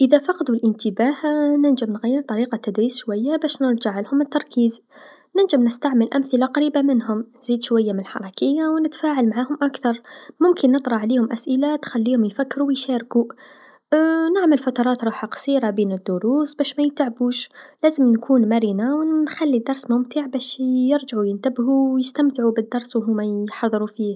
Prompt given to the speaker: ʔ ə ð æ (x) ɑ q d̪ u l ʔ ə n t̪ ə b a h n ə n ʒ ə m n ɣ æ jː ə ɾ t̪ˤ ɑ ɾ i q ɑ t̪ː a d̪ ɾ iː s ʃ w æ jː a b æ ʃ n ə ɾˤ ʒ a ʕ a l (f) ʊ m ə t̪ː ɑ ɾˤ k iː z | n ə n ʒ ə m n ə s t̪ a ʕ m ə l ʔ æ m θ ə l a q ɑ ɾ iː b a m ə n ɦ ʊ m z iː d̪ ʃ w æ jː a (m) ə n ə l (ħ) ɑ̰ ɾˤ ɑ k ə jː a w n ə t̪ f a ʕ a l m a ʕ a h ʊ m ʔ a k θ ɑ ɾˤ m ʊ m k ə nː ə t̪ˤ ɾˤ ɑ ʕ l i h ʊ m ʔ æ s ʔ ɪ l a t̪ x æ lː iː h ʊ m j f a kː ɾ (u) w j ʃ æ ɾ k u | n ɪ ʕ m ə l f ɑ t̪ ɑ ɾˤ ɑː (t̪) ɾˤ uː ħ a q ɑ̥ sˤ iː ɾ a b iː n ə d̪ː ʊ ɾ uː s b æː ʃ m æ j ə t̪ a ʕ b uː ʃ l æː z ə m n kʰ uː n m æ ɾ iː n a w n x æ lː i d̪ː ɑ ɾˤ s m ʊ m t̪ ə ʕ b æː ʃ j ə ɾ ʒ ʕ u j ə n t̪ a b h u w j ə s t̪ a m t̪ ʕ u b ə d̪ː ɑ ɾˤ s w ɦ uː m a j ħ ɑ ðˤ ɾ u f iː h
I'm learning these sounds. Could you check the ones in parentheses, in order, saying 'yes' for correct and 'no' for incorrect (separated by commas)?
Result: no, no, yes, yes, yes, yes